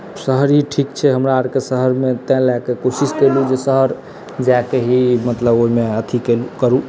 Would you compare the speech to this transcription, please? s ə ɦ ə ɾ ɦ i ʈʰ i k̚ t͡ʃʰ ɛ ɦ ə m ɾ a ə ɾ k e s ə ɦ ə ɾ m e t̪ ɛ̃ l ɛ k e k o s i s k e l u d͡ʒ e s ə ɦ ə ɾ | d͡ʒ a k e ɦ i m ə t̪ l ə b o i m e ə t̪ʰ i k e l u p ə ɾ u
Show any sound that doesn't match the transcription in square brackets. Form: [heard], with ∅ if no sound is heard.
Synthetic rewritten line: s ə ɦ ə ɾ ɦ i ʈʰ i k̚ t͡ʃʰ ɛ ɦ ə m ɾ a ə ɾ k e s ə ɦ ə ɾ m e t̪ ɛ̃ l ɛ k e k o s i s k e l u d͡ʒ e s ə ɦ ə ɾ | d͡ʒ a k e ɦ i m ə t̪ l ə b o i m e ə t̪ʰ i k e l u [k] ə ɾ u

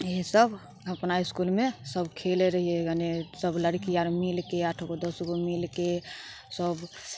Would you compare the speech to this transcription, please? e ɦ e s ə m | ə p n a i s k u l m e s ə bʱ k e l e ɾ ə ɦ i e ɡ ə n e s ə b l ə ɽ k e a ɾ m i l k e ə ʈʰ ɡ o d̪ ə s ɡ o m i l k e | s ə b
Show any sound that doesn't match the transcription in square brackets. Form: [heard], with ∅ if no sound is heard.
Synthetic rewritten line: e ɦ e s ə [b] | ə p n a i s k u l m e s ə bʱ [kʰ] e l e ɾ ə ɦ i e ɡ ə n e s ə b l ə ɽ k [i] a ɾ m i l k e [a] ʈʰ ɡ o d̪ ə s ɡ o m i l k e | s ə b

